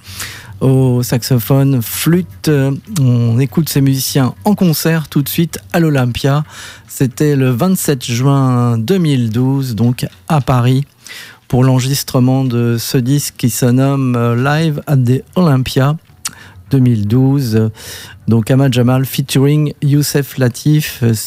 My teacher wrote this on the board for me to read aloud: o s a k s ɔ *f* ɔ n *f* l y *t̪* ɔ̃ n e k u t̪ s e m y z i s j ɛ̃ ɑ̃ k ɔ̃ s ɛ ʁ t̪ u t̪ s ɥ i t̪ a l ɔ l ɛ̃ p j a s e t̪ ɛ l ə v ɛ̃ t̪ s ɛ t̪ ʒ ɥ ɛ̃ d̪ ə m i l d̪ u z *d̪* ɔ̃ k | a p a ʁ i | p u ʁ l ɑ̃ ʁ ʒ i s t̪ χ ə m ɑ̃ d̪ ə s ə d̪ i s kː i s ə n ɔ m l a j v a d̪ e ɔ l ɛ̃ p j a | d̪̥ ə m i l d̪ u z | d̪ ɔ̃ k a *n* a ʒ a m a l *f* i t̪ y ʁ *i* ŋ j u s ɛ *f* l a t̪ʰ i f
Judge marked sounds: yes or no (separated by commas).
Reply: yes, yes, yes, yes, no, yes, yes, yes